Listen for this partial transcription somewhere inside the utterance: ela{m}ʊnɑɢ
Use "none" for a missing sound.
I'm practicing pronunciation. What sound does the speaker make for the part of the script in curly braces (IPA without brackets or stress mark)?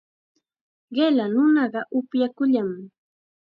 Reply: n